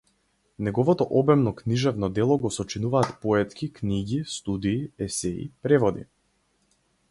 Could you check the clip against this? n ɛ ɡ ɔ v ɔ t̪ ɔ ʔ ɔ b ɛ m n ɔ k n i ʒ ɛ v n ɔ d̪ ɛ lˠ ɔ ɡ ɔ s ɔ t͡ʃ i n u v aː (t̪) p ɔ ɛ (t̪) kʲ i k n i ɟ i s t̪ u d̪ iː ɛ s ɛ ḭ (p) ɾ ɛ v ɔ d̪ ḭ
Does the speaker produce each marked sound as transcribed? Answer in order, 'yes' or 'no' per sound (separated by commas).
yes, yes, yes